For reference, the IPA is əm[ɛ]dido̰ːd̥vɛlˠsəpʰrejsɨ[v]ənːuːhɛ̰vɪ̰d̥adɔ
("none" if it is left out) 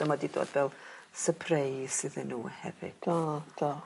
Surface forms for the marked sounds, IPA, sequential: a, ð

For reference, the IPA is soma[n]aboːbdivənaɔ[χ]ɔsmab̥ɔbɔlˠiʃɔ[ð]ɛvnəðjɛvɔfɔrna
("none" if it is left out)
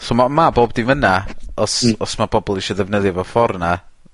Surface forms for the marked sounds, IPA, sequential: m, s, ð

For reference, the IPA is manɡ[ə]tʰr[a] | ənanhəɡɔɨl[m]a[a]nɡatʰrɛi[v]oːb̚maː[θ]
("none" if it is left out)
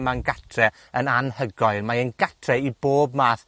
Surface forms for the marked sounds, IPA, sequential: a, ɛ, m, ə, b, θ

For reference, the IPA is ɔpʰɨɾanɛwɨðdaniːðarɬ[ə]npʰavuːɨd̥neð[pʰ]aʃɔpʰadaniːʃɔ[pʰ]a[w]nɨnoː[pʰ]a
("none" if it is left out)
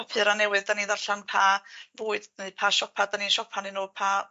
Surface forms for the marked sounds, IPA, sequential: a, pʰ, pʰ, none, pʰ

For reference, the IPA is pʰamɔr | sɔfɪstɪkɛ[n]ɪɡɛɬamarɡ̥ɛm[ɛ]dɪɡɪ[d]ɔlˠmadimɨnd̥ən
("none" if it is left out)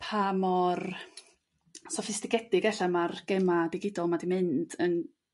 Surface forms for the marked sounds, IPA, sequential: d, a, d

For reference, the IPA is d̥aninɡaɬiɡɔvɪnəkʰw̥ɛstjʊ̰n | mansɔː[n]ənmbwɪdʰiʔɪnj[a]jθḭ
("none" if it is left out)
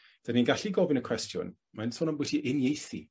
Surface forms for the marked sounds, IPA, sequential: n, e

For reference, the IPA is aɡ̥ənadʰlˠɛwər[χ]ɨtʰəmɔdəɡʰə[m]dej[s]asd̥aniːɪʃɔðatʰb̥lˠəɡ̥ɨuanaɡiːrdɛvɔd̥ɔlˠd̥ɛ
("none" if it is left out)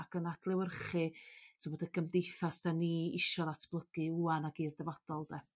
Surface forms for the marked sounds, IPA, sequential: χ, m, θ

